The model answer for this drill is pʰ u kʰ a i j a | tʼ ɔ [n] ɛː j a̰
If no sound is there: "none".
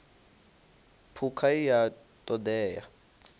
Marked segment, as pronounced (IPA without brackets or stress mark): d